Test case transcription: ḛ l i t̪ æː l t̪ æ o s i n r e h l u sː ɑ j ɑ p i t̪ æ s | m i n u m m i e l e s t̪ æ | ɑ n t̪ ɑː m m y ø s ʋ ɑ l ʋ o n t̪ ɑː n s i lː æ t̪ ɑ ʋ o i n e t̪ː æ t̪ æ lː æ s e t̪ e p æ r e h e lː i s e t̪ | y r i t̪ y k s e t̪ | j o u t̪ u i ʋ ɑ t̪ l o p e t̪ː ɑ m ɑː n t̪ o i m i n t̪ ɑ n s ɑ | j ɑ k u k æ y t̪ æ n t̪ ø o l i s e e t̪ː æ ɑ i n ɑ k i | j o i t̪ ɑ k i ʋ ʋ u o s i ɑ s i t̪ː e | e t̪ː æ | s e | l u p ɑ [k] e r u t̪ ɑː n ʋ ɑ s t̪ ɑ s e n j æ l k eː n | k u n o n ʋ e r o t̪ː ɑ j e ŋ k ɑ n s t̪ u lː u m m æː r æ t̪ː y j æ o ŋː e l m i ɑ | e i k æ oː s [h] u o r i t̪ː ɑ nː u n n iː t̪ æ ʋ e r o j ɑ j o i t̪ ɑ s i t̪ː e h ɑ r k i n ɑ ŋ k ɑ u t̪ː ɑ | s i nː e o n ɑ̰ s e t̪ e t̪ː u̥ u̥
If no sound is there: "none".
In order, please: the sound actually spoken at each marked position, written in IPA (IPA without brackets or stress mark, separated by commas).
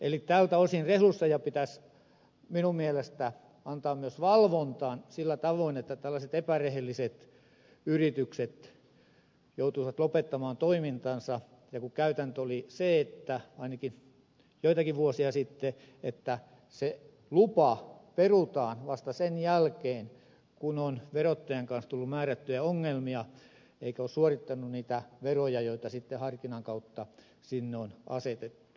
p, s